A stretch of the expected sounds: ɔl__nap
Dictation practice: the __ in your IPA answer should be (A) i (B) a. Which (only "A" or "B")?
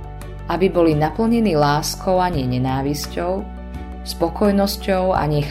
A